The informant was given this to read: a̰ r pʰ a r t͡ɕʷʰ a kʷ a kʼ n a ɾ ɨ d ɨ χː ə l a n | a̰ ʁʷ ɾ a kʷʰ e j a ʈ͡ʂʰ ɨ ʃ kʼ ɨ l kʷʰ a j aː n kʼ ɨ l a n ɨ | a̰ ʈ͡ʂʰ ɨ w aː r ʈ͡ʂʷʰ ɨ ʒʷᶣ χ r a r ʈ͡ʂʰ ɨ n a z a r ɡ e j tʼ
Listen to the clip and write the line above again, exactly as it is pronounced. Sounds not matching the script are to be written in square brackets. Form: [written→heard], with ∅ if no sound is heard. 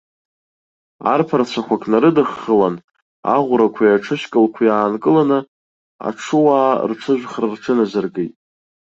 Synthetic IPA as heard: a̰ r pʰ a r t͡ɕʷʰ a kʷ a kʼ n a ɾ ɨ d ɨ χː ə l a n | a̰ ʁʷ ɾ a kʷʰ [e→a] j a ʈ͡ʂʰ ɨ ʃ kʼ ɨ l kʷʰ a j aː n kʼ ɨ l a n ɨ | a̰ ʈ͡ʂʰ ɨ w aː r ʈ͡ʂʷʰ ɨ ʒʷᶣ χ r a r ʈ͡ʂʰ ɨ n a z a r ɡ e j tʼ